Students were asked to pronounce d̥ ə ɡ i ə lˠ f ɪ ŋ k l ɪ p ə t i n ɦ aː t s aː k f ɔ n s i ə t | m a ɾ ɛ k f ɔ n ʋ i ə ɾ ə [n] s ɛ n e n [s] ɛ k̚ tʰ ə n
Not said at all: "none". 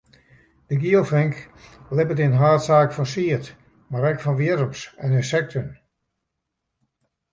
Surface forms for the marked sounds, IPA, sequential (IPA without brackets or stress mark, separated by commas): m, s